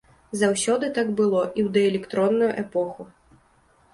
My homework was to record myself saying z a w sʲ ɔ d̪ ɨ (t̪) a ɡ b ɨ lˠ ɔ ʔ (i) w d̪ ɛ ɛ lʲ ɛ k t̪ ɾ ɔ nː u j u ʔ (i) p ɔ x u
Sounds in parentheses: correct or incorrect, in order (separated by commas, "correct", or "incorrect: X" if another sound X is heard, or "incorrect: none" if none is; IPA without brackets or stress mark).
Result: correct, correct, incorrect: ɛ